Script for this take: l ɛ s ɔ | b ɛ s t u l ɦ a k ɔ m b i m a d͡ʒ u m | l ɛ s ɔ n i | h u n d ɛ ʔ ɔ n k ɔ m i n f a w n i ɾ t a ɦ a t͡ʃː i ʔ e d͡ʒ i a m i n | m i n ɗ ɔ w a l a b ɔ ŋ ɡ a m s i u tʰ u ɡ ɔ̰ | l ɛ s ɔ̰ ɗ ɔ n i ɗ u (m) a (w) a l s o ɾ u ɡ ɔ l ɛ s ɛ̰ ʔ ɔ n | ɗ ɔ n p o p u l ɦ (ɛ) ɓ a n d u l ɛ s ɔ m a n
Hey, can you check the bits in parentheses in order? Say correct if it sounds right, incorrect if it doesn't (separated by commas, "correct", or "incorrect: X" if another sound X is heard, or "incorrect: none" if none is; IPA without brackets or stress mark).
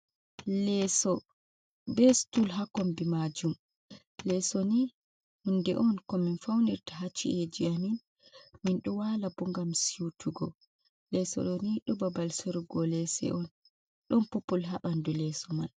incorrect: b, incorrect: b, incorrect: a